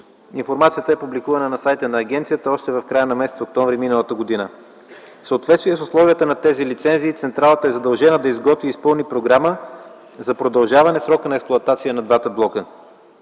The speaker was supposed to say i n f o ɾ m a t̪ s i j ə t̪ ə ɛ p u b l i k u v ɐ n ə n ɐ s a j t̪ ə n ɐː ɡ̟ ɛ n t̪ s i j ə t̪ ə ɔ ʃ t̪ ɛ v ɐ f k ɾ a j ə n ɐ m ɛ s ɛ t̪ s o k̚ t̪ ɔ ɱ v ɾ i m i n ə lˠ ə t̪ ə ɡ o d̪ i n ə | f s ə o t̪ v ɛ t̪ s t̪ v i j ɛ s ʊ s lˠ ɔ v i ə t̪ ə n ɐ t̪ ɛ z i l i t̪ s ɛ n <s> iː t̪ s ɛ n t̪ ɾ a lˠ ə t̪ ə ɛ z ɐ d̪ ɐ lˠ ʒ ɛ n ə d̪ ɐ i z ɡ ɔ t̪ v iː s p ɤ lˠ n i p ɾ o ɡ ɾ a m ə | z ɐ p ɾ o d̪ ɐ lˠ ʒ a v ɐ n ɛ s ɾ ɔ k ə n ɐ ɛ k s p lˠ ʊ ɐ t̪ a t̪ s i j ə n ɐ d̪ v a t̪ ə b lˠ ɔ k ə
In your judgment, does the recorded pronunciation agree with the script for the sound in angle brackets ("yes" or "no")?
no